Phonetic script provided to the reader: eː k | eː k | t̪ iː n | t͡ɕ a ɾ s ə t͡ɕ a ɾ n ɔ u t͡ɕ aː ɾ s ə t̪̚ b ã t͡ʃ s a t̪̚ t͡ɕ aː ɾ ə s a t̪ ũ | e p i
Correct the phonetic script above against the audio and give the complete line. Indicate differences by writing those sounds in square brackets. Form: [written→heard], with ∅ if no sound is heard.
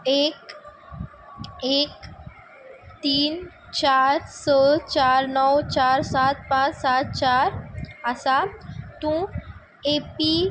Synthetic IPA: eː k | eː k | t̪ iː n | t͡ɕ a ɾ s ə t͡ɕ a ɾ n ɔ [u→w] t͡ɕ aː ɾ s [ə→a] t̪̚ [b→p] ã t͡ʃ s a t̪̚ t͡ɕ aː ɾ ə s a t̪ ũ | e p i